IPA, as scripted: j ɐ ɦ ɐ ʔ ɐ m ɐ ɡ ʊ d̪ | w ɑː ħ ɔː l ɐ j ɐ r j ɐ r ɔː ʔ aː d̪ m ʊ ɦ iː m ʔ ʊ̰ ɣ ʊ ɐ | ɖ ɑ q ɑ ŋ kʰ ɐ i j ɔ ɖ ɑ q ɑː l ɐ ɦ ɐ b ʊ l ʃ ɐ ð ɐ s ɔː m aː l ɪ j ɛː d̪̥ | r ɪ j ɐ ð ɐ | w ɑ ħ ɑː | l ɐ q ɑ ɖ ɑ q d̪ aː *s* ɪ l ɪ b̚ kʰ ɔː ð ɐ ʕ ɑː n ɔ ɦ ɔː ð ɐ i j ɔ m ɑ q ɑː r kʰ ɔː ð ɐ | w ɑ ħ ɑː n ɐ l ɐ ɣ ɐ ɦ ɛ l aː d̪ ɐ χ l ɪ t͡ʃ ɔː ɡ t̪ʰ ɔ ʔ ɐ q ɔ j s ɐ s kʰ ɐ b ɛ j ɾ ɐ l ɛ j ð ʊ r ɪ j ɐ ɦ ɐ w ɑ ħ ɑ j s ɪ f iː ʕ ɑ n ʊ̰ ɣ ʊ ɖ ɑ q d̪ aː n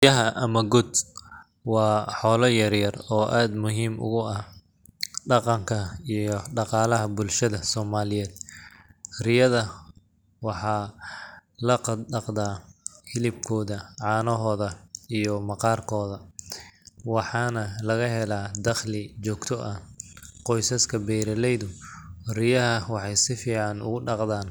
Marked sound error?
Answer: yes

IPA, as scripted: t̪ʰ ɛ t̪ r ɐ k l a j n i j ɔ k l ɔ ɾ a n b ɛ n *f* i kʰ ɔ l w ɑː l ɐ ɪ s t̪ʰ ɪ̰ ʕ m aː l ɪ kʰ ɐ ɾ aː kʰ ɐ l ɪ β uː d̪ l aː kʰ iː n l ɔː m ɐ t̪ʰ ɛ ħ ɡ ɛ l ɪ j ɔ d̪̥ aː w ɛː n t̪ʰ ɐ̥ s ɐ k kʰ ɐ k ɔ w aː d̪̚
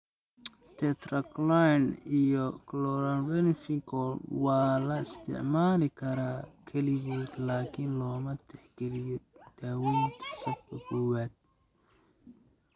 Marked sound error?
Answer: no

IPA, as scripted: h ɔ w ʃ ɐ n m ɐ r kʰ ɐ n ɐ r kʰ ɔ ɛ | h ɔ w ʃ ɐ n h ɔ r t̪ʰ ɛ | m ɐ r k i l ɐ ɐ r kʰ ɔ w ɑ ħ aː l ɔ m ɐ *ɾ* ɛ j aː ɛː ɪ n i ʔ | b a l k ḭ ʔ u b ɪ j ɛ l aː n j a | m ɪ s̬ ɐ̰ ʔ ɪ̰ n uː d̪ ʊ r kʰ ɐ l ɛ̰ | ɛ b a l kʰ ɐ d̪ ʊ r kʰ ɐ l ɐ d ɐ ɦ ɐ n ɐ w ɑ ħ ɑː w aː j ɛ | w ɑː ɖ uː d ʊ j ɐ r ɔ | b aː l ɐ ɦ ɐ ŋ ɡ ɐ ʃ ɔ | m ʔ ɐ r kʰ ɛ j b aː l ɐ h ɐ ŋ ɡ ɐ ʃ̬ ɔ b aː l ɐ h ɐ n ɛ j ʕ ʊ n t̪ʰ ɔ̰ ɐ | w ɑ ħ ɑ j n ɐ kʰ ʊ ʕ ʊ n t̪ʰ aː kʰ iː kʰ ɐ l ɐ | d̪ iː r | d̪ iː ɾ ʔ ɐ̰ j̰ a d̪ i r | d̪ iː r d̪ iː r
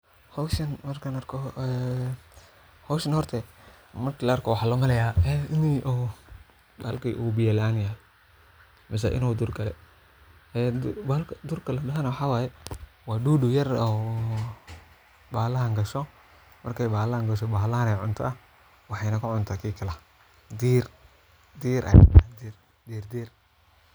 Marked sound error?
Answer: yes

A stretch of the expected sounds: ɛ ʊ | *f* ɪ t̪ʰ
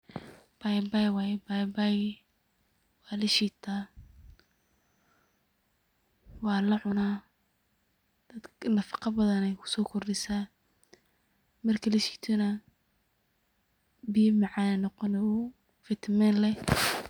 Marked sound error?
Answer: no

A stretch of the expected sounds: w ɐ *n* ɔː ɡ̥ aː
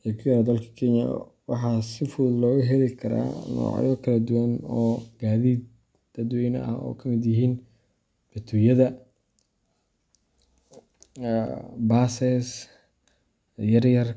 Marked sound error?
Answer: no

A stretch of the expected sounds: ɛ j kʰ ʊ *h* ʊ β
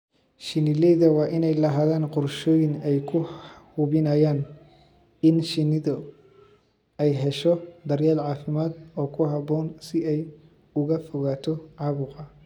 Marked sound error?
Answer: no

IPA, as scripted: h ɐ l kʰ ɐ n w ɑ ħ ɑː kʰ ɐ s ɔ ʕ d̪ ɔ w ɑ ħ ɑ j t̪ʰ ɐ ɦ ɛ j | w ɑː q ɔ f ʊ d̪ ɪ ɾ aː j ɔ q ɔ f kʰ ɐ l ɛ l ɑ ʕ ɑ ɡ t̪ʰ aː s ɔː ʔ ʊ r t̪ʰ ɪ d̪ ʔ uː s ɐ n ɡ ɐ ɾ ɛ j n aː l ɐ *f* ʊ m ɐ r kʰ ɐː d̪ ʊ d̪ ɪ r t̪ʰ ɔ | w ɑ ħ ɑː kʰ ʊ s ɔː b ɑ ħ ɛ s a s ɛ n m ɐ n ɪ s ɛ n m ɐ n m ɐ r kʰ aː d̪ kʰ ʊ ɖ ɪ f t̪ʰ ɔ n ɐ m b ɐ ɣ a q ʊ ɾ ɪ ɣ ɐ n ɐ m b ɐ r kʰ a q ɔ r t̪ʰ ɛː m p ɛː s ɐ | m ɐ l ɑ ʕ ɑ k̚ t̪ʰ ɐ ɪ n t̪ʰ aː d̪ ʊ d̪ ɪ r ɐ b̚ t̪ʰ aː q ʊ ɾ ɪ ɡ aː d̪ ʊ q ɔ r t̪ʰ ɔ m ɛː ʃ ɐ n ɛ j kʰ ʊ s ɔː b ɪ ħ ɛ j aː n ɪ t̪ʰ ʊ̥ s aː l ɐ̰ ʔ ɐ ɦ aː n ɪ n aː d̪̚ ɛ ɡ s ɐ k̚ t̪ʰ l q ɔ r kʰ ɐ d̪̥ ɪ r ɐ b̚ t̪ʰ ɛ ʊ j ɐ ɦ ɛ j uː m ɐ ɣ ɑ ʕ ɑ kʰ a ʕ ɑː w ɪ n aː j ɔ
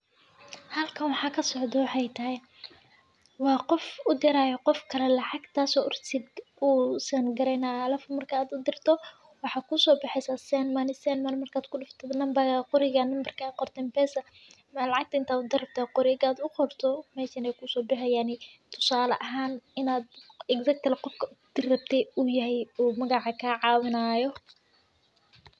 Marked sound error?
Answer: no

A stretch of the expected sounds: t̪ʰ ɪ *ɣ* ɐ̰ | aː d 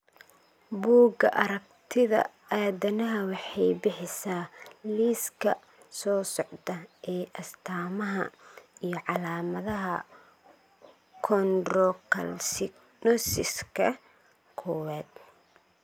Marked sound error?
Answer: yes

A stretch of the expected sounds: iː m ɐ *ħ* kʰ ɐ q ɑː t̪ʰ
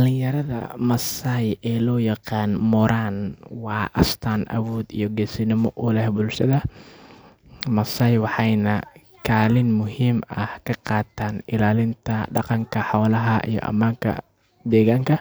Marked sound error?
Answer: yes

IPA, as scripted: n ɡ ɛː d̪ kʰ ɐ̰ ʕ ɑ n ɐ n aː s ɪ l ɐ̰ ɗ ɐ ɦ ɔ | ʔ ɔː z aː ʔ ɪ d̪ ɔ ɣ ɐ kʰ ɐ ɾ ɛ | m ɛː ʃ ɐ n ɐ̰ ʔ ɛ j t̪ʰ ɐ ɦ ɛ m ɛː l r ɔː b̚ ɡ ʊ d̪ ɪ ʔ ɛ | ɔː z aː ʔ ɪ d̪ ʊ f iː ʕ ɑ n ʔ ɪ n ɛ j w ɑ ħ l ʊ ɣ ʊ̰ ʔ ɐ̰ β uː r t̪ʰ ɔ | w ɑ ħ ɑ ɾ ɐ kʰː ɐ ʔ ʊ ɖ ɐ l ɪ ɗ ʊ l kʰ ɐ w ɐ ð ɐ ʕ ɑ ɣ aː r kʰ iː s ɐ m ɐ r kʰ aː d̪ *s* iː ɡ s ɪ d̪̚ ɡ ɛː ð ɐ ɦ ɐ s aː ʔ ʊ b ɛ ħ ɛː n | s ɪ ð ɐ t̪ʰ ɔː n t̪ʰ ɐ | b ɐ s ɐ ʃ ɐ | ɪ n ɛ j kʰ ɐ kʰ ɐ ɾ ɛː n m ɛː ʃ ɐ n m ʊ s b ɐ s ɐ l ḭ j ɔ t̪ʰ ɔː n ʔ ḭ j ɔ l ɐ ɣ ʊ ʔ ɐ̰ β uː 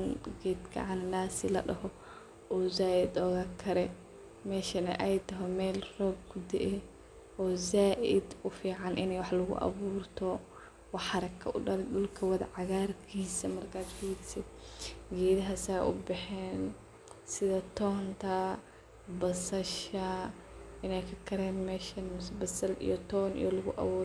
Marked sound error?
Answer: yes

